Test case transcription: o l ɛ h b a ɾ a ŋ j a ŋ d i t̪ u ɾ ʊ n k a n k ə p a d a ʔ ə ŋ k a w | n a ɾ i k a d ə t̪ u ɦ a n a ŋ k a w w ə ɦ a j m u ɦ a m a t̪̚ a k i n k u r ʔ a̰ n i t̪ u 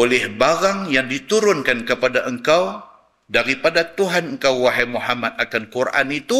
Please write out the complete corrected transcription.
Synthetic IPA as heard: o l ɛ h b a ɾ a ŋ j a ŋ d i t̪ u ɾ ʊ n k a n k ə p a d a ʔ ə ŋ k a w | d a ɾ i p a d a t̪ u ɦ a n ə ŋ k a w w a ɦ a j m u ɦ a m a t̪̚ a k a n k u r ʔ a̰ n i t̪ u